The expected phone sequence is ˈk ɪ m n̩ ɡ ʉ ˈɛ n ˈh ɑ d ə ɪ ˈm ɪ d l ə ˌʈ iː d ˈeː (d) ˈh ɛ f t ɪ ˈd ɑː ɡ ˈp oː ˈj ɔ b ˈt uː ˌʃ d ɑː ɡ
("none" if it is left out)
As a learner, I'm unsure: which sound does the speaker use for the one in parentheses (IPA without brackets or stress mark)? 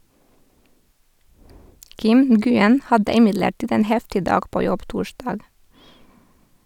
n